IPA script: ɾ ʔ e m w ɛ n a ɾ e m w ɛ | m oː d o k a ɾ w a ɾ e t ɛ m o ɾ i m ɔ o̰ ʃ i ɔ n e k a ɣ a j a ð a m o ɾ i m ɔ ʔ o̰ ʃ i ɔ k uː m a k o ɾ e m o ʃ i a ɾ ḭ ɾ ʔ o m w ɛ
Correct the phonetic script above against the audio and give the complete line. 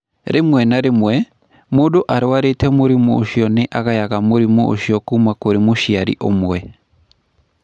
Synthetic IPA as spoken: ɾ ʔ e m w ɛ n a ɾ e m w ɛ | m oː d o ʔ a ɾ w a ɾ e t ɛ m o ɾ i m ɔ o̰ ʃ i ɔ n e ʔ a ɣ a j a ɣ a m o ɾ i m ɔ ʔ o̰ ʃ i ɔ k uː m a k o ɾ e m o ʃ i a ɾ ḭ ʔ o m w ɛ